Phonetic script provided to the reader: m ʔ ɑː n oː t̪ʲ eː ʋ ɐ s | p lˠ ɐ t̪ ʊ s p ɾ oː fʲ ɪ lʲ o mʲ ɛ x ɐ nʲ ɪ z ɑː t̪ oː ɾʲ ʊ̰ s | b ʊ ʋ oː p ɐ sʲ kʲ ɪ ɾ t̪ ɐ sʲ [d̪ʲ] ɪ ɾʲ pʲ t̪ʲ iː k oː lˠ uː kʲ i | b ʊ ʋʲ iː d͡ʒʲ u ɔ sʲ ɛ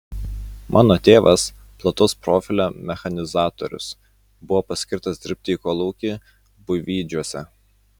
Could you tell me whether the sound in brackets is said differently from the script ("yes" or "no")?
no